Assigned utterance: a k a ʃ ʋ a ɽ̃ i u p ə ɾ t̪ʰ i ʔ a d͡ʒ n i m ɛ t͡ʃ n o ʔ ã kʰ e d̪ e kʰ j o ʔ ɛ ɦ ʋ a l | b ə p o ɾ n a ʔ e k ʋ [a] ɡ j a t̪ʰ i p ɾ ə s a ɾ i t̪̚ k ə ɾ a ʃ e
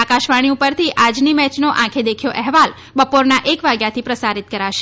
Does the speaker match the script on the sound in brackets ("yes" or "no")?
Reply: yes